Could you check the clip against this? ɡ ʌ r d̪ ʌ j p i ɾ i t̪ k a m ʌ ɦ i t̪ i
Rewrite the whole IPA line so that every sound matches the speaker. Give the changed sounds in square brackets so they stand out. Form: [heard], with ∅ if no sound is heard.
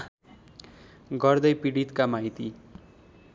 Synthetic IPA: ɡ ʌ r d̪ ʌ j p i [ɽ] i t̪ k a m [a] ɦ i t̪ i

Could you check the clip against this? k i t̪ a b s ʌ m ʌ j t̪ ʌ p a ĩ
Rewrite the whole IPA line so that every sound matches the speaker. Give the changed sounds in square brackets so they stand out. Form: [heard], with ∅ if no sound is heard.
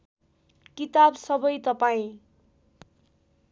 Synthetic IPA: k i t̪ a b s ʌ [b] ʌ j t̪ ʌ p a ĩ

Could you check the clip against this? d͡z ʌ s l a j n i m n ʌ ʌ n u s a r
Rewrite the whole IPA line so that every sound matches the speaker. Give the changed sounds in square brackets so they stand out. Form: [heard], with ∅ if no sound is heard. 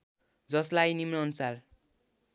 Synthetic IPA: d͡z ʌ s l a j n i m n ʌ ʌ n u s a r

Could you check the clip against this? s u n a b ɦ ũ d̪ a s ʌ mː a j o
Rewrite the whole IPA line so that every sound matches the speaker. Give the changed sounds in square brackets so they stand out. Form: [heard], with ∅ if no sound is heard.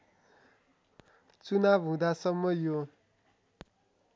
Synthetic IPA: [t͡s] u n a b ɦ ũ d̪ a s ʌ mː [ʌ] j o

